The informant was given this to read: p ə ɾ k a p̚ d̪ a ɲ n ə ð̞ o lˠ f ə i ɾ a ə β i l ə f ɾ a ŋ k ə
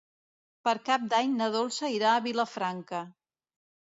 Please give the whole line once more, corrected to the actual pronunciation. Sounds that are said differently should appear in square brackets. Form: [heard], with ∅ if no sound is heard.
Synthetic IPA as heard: p ə ɾ k a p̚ d̪ a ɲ n ə ð̞ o lˠ [s] ə i ɾ a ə β i l ə f ɾ a ŋ k ə

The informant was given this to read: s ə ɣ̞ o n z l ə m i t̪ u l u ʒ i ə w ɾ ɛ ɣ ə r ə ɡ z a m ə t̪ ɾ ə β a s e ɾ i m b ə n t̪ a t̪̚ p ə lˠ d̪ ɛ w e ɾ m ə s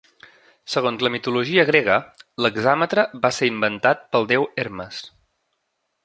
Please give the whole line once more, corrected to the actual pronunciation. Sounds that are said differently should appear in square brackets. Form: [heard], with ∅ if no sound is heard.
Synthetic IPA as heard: s ə ɣ̞ o n z l ə m i t̪ u l u ʒ i ə [ɣ] ɾ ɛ ɣ ə [l] ə ɡ z a m ə t̪ ɾ ə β a s e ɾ i m b ə n t̪ a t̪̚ p ə lˠ d̪ ɛ w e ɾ m ə s

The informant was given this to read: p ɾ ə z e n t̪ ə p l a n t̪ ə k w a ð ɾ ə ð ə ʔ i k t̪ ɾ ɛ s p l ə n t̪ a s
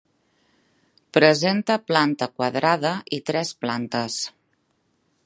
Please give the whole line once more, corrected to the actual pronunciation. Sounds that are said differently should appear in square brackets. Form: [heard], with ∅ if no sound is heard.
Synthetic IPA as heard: p ɾ ə z e n t̪ ə p l a n t̪ ə k w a ð ɾ [a] ð ə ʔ i [∅] t̪ ɾ ɛ s p l [a] n t̪ [ə] s

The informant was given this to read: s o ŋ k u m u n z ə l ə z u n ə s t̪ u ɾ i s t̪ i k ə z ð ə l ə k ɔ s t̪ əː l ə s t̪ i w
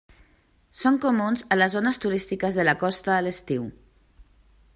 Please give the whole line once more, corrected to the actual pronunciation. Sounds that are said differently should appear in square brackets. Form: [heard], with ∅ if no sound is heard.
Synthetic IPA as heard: s o ŋ k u m u n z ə l ə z [o] n ə s t̪ u ɾ i s t̪ i k ə z ð ə l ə k ɔ s t̪ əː l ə s t̪ i w

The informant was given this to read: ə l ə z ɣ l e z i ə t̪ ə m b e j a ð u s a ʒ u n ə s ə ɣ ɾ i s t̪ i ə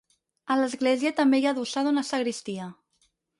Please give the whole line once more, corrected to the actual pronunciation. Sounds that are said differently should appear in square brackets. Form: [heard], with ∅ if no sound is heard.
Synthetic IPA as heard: ə l ə z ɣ l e z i ə t̪ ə m b e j a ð u s a [ð] u n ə s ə ɣ ɾ i s t̪ i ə

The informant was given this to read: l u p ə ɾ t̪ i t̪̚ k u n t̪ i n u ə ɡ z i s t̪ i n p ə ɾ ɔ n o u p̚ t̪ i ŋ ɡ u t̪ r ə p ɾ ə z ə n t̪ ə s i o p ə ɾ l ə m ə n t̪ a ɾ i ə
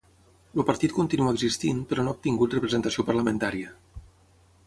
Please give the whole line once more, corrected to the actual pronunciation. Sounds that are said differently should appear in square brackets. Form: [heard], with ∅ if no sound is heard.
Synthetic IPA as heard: l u p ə ɾ t̪ i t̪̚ k u n t̪ i n u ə ɡ z i s t̪ i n p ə ɾ ɔ n o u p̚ t̪ i ŋ ɡ u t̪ r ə p ɾ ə z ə n t̪ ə s i o p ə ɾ l ə m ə n t̪ a ɾ i ə

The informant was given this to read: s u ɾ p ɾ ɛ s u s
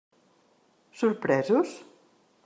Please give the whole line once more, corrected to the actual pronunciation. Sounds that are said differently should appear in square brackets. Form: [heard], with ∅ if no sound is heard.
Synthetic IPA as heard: s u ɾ p ɾ ɛ [z] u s

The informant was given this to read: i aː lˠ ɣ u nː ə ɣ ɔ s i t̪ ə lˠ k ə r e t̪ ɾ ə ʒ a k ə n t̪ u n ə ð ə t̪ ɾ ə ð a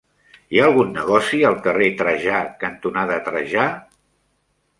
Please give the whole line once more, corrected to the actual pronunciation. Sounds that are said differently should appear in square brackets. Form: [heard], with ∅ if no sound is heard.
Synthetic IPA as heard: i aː lˠ ɣ u nː ə ɣ ɔ s i [∅] ə lˠ k ə r e t̪ ɾ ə ʒ a k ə n t̪ u n [a] ð ə t̪ ɾ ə [ʒ] a

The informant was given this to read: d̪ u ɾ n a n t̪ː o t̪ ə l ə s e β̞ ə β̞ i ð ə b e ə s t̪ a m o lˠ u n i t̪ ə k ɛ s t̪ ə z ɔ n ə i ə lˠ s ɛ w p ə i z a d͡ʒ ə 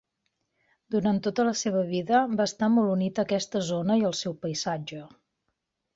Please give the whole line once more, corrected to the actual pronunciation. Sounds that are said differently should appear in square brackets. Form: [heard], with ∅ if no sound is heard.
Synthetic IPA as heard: d̪ u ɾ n a n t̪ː o t̪ ə l ə s e β̞ ə β̞ i ð ə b [a] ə s t̪ a m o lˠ u n i t̪ ə k ɛ s t̪ ə z [o] n ə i ə lˠ s ɛ w p ə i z a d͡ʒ ə

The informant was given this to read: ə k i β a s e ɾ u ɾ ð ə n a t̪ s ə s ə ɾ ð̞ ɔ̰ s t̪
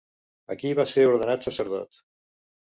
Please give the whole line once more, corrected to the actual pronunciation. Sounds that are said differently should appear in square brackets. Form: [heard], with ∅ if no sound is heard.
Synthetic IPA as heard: ə k i β a s e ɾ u ɾ ð ə n a t̪ s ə s ə ɾ ð̞ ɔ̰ [∅] t̪

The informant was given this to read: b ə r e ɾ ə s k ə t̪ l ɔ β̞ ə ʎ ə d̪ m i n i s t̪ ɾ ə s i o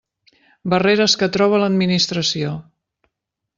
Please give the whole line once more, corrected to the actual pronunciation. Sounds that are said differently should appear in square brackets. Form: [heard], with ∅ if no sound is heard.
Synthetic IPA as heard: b ə r e ɾ ə s k ə t̪ [ɾ] ɔ β̞ ə [l] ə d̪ m i n i s t̪ ɾ ə s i o

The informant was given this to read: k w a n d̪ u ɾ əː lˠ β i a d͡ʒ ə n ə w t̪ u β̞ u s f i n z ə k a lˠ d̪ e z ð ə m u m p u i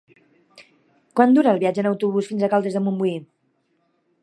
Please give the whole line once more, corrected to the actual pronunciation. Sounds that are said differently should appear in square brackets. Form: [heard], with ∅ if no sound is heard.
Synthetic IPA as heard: k w a n d̪ u ɾ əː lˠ β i a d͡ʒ ə n ə w t̪ u β̞ u s f i n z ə k a lˠ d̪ e z ð ə m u m [b] u i

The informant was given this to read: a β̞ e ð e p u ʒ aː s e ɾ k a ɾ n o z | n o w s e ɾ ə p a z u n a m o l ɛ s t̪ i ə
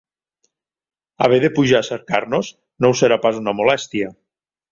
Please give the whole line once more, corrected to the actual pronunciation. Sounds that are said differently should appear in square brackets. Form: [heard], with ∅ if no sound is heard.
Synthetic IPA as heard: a β̞ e ð e p u ʒ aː s e ɾ k a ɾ n o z | n o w s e ɾ [a] p a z u n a m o l ɛ s t̪ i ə

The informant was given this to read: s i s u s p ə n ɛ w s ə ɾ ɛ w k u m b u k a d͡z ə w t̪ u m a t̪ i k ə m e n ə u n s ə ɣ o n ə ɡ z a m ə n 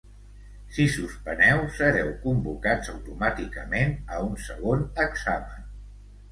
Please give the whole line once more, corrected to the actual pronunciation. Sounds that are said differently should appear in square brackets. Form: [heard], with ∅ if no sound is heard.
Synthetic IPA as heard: s i s u s p ə n ɛ w s ə ɾ ɛ w k u m b u k a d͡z ə w t̪ u m a t̪ i k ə m e n ə u n s ə ɣ o n ə ɡ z a m ə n

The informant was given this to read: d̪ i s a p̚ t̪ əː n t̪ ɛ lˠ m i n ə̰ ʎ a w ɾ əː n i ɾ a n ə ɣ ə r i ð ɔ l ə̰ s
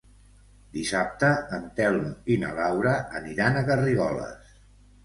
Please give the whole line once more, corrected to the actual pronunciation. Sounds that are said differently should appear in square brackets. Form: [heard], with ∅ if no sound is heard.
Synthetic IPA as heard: d̪ i s a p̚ t̪ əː n t̪ ɛ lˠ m i n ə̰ [l] a w ɾ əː n i ɾ a n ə ɣ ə r i [ɣ] ɔ l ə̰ s

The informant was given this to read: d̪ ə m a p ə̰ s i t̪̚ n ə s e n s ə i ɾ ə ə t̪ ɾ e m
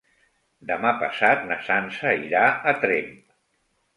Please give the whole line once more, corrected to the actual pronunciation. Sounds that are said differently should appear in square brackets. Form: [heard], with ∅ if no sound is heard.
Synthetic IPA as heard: d̪ ə m a p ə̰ s [a] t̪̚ n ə s [a] n s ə i ɾ [a] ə t̪ ɾ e m

